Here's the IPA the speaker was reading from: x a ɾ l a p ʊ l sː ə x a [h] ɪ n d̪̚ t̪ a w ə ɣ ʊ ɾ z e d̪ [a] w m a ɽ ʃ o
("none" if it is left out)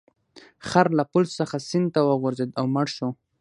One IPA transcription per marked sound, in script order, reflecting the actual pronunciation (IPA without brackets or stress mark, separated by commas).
s, a